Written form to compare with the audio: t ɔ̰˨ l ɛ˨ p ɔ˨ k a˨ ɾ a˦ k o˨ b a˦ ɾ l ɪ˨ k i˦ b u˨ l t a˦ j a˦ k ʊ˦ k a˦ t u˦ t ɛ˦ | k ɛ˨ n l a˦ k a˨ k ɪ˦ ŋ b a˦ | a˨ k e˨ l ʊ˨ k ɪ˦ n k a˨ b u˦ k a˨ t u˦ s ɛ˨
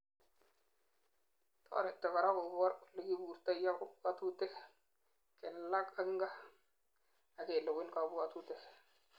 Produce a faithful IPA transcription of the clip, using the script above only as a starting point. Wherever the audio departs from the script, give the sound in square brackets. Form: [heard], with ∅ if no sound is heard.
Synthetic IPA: t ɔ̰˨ [ɾ] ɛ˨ [t] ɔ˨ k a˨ ɾ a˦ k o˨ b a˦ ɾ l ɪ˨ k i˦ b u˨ [ɾ] t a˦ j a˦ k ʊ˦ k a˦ t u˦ t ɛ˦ | k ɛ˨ n l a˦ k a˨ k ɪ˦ ŋ [ɡ] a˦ | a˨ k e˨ l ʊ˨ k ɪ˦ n k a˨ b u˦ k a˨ t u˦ [t] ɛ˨